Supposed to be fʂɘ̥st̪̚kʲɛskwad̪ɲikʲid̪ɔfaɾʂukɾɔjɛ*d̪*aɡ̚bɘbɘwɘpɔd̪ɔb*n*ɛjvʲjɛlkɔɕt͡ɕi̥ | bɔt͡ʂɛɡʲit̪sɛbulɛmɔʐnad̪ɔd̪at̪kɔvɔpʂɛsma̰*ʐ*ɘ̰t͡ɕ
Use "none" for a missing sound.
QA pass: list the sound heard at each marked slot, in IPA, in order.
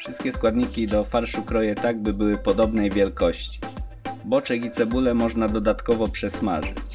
t̪, n, ʐ

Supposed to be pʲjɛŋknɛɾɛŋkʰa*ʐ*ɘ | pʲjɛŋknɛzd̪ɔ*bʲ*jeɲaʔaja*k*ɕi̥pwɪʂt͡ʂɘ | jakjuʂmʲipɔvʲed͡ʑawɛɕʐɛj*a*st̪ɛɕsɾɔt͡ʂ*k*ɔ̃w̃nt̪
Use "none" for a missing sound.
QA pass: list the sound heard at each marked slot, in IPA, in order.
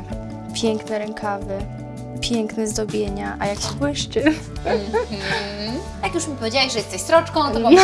v, bʲ, k, ɛ, k

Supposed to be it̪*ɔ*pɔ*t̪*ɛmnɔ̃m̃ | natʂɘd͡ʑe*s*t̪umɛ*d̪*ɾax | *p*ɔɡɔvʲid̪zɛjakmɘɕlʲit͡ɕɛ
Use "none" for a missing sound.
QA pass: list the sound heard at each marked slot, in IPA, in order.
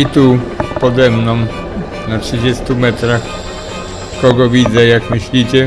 u, d̪, s, t̪, k

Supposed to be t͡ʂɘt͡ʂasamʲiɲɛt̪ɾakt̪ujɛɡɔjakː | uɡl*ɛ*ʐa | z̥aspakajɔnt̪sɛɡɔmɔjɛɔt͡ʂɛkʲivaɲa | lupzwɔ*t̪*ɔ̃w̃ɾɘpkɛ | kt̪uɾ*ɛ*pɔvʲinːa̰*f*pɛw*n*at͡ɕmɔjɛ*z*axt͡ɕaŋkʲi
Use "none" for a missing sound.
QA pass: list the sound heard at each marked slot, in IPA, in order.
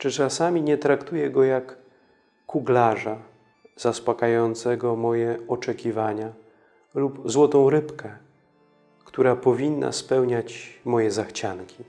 a, t̪, a, s, ɲ, z

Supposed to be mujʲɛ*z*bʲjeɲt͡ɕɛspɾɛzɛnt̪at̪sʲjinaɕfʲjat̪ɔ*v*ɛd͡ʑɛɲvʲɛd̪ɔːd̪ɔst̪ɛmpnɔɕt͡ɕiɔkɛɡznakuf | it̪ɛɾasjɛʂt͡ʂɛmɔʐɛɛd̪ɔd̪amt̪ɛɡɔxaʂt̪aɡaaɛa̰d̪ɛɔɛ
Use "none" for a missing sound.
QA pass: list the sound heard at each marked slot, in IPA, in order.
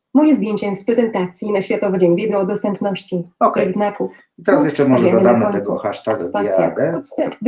z, v

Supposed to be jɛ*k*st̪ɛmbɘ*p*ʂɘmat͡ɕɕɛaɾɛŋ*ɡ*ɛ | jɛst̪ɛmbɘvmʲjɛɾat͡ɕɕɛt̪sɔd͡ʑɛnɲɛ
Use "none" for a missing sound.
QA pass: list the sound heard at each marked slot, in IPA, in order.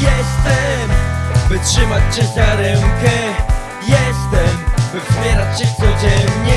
none, t, k

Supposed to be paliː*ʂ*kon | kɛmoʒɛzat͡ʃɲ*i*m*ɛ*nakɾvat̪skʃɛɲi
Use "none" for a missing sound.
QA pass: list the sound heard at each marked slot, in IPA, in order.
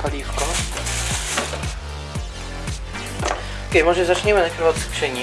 f, ɛ, ɛ

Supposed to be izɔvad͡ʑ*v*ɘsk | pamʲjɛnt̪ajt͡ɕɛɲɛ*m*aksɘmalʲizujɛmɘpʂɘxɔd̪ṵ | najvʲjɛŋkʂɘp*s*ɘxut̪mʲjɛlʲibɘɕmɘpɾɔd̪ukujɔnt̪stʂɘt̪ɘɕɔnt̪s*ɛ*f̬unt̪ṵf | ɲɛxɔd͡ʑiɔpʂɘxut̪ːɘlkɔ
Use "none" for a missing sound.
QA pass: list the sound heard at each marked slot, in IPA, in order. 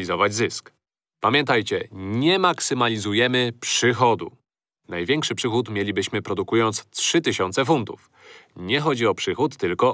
z, m, ʂ, ɛ

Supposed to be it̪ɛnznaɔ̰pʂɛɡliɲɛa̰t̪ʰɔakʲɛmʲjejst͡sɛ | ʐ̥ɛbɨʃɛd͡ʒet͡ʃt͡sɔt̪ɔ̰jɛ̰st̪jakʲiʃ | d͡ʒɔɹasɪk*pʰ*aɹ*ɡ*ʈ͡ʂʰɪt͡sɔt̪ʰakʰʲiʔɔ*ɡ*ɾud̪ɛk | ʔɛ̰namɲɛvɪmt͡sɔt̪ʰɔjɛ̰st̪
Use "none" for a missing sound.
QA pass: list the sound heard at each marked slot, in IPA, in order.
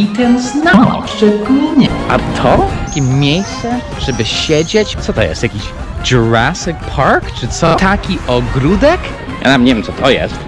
pʰ, k, ɡ

